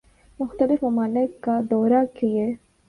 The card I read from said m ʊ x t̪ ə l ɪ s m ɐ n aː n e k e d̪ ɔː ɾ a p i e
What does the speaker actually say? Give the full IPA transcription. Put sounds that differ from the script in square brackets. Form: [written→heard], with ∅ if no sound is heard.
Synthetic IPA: m ʊ x t̪ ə l ɪ [s→f] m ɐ [n→m] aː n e k [e→a] d̪ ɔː ɾ a [p→k] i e